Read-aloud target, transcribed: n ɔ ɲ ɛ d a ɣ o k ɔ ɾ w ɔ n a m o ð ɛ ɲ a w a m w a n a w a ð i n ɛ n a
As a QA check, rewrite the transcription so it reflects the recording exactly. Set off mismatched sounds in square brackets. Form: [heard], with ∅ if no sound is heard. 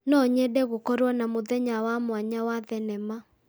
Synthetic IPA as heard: n ɔ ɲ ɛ d [ɛ] ɣ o k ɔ ɾ w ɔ n a m o ð ɛ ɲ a w a m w a [ɲ] a w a ð [ɛ] n ɛ [m] a